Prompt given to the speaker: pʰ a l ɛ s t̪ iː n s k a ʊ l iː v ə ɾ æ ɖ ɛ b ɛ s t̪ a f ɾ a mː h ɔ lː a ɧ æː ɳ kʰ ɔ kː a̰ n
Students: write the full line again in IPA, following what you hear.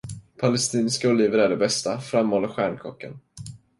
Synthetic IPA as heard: pʰ a l ɛ s t̪ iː n s k a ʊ l iː v ə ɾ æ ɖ ɛ b ɛ s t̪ a f ɾ a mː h ɔ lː a ɧ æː ɳ kʰ ɔ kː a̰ n